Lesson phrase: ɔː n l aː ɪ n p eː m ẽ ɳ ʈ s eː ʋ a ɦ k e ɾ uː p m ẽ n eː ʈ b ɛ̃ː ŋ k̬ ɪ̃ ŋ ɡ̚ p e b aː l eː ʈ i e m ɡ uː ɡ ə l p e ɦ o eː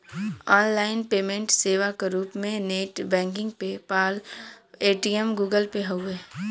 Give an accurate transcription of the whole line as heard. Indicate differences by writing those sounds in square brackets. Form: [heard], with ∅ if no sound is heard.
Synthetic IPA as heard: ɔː n l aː ɪ n p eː m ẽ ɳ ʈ s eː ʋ a [∅] k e ɾ uː p m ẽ n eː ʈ b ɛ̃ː ŋ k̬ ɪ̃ ŋ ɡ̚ p e [p] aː l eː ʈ i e m ɡ uː ɡ ə l p e ɦ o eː